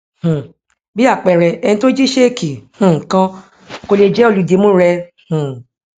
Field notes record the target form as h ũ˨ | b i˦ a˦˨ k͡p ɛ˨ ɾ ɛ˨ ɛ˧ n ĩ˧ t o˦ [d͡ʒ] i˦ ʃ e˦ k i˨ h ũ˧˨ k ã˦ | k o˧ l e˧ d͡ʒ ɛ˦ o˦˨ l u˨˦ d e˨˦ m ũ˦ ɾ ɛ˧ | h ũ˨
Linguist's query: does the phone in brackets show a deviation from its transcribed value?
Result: no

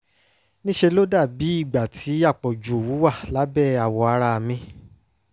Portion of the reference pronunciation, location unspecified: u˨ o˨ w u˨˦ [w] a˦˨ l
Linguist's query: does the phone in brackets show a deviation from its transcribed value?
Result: no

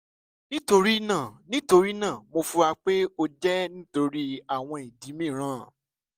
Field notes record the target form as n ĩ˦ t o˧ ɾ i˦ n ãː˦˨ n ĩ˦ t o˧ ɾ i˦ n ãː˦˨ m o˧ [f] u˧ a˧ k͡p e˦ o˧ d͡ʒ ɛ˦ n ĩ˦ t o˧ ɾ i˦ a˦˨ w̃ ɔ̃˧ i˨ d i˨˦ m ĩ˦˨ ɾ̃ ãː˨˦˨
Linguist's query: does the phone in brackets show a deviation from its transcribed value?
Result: no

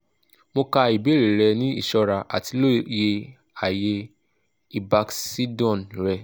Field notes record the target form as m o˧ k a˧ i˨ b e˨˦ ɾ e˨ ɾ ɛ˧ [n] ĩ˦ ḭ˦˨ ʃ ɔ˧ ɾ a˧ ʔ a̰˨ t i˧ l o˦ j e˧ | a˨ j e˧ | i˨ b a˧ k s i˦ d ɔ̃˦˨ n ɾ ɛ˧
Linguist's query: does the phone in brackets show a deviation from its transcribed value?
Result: no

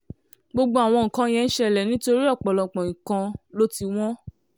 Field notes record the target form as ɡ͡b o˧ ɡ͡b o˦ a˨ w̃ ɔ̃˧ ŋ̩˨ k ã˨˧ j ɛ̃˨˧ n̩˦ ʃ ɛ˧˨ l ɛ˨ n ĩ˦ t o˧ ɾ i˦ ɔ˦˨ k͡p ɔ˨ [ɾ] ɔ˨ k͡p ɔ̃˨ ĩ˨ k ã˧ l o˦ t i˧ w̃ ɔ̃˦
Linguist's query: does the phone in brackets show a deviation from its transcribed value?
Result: yes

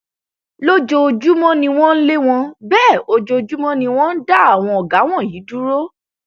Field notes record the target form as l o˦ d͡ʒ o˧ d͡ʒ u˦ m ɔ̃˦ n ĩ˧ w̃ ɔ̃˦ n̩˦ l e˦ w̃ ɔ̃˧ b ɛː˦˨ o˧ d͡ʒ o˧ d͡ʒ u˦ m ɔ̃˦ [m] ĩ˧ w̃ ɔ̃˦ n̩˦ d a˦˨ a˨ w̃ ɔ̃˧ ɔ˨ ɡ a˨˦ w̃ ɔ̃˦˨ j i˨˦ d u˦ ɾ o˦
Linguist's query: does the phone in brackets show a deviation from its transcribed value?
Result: yes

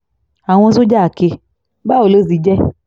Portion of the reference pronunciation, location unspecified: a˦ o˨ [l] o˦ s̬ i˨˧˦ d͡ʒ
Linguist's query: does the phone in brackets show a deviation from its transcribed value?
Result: no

